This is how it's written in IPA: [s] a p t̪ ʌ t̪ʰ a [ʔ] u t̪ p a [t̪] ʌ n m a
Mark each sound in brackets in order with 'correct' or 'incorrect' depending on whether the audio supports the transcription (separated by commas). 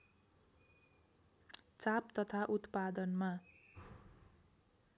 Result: incorrect, correct, incorrect